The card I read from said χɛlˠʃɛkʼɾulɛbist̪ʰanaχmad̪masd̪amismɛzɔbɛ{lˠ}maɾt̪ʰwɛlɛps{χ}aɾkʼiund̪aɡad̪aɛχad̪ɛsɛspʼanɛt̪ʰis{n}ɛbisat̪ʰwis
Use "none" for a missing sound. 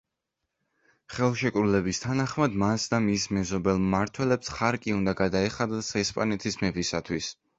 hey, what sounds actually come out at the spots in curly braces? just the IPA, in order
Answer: lˠ, χ, m

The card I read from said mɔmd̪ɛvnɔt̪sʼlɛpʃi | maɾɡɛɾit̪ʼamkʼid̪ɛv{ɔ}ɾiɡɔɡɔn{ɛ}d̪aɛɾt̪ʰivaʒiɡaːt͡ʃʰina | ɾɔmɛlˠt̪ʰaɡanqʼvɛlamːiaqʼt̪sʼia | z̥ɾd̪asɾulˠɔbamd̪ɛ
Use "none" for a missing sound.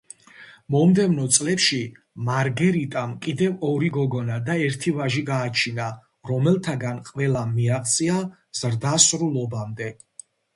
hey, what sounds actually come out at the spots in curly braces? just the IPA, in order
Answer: ɔ, a

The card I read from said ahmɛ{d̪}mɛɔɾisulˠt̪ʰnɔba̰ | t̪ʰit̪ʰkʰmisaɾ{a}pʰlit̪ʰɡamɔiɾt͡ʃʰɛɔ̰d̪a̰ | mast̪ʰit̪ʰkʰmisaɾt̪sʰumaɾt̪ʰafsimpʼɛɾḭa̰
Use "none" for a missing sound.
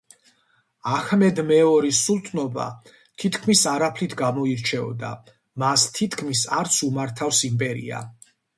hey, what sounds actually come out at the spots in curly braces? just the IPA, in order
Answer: d̪, a

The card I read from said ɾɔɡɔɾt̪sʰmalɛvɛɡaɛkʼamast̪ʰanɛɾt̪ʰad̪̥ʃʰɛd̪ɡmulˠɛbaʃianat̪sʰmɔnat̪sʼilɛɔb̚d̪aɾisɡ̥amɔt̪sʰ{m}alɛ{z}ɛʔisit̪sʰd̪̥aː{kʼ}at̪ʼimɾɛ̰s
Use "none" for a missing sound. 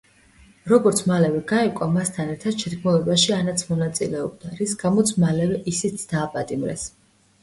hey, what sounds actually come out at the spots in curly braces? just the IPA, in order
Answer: m, v, pʼ

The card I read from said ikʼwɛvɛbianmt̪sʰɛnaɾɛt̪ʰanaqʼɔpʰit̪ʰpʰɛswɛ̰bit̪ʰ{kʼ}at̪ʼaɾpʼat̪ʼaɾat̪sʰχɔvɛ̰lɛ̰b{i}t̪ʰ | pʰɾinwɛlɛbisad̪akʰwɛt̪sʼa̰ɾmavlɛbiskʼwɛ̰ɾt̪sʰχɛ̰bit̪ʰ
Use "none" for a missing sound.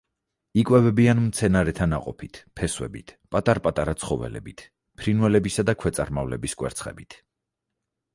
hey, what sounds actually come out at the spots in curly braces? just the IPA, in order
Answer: pʼ, i

